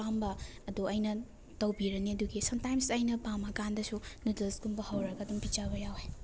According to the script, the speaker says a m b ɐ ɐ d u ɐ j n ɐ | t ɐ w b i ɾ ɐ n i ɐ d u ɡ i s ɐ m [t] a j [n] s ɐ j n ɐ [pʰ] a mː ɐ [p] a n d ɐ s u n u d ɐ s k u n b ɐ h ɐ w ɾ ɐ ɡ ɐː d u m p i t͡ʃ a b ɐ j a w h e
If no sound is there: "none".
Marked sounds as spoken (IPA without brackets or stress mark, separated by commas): t, m, p, k